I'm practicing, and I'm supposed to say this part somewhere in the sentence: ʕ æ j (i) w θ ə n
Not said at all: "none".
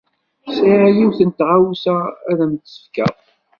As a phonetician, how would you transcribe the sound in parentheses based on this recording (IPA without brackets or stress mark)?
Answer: i